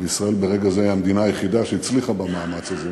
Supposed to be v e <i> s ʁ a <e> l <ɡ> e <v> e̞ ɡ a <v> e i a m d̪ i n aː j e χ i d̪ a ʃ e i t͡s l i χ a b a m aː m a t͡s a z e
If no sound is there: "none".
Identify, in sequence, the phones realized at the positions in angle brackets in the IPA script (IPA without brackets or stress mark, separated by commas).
i, e, b, ʁ, z